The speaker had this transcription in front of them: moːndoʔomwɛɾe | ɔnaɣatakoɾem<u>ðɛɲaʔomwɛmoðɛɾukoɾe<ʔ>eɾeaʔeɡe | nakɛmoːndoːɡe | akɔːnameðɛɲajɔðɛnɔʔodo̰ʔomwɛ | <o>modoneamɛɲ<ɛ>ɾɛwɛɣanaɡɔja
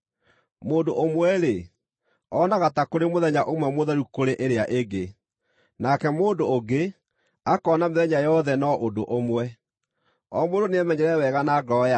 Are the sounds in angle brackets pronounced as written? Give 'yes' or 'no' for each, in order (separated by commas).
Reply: no, yes, no, yes